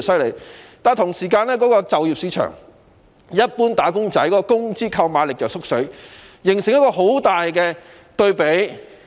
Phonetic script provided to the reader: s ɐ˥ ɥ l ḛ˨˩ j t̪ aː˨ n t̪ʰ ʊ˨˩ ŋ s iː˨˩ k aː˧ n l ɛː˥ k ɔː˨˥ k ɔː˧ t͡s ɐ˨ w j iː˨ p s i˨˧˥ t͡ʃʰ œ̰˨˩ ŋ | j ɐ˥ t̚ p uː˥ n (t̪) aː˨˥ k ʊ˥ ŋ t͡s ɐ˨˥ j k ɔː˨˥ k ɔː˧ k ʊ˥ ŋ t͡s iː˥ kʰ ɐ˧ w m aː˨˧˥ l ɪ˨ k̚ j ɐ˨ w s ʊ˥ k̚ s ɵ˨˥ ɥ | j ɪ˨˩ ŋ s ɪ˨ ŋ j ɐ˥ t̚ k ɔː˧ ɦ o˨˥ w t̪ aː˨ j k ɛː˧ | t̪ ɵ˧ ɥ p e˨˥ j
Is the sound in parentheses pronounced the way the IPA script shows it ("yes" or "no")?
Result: yes